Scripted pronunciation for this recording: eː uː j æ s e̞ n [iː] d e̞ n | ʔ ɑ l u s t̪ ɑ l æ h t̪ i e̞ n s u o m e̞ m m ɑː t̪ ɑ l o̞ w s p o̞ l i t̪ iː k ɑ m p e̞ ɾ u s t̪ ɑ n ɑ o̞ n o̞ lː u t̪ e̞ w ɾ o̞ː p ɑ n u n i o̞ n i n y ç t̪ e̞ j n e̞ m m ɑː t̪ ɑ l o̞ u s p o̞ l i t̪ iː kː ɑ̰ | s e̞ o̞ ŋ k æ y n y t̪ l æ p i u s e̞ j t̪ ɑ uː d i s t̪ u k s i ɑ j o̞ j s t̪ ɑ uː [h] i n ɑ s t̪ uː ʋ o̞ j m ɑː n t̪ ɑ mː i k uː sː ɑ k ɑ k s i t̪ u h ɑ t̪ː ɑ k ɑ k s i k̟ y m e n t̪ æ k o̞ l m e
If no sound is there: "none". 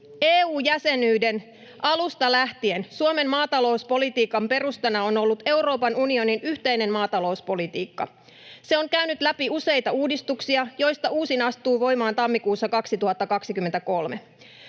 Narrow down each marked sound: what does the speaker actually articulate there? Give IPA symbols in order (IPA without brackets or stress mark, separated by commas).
yː, s